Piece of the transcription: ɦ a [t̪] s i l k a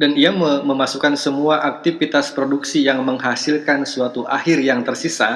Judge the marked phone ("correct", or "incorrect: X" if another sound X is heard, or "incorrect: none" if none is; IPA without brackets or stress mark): incorrect: none